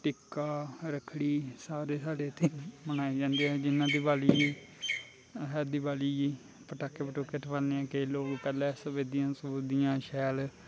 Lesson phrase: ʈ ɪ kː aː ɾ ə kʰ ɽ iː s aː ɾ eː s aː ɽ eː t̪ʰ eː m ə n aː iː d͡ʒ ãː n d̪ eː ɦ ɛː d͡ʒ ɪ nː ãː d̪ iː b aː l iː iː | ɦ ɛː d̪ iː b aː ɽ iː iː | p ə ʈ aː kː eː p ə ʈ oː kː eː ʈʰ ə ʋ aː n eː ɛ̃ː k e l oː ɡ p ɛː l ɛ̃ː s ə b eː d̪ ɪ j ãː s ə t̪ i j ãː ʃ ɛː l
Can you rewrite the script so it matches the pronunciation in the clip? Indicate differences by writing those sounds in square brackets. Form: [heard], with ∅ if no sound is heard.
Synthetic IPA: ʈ ɪ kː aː ɾ ə kʰ ɽ iː s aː ɾ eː s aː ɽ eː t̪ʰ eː m ə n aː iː d͡ʒ ãː n d̪ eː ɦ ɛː d͡ʒ ɪ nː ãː d̪ iː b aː l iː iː | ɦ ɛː d̪ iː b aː [l] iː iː | p ə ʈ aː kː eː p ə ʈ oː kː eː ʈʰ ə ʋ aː n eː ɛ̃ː k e l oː ɡ p ɛː l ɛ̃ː s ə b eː d̪ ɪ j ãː s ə [d̪] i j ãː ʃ ɛː l

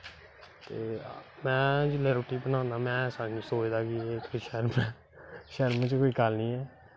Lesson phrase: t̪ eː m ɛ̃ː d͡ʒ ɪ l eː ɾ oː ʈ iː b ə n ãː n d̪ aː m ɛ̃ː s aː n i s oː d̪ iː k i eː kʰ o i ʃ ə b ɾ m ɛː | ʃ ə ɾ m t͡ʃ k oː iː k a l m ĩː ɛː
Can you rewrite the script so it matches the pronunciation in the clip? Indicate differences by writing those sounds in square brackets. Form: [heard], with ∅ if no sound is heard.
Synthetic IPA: t̪ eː m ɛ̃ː d͡ʒ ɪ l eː ɾ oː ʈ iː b ə n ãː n d̪ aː m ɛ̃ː s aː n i s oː d̪ [aː] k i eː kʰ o i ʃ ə [∅] ɾ m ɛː | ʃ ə ɾ m t͡ʃ k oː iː k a l [n] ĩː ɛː

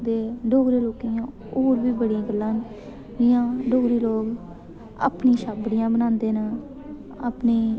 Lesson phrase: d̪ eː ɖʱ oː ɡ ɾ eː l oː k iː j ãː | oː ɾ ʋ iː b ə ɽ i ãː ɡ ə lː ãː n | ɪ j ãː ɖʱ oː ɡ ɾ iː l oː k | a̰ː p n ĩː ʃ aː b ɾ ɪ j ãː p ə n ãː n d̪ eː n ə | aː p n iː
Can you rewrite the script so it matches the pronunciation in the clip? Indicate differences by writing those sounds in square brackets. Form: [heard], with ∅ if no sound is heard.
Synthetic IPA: d̪ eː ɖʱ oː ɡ ɾ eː l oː k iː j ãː | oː ɾ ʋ iː b ə ɽ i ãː ɡ ə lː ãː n | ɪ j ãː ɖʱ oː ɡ ɾ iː l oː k | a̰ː p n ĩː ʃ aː b [ɽ] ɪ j ãː [b] ə n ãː n d̪ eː n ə | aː p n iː

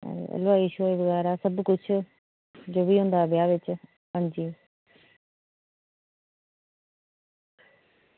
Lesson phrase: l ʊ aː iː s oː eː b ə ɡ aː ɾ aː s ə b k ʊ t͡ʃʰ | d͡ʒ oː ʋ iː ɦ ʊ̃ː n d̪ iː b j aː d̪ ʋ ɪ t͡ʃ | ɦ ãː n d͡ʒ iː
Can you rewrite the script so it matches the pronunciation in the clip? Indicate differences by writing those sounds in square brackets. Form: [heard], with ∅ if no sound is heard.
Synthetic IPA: l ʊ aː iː [ʃ] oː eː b ə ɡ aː ɾ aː s ə b k ʊ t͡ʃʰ | d͡ʒ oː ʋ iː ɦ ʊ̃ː n d̪ [aː] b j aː [∅] ʋ ɪ t͡ʃ | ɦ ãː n d͡ʒ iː

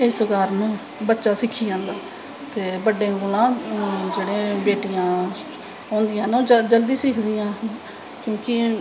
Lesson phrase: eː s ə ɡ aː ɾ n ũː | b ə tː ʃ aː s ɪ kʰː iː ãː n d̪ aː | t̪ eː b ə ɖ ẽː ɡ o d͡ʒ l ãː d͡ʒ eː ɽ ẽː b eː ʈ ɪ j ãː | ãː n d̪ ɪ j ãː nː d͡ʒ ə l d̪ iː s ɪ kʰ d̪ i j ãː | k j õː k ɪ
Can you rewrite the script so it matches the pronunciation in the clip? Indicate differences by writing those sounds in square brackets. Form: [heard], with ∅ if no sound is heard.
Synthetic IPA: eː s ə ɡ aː ɾ n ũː | b ə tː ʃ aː s ɪ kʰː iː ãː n d̪ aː | t̪ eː b ə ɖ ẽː ɡ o [∅] l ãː d͡ʒ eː ɽ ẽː b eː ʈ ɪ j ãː | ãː n d̪ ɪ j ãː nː d͡ʒ ə l d̪ iː s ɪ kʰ d̪ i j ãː | k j õː k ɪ

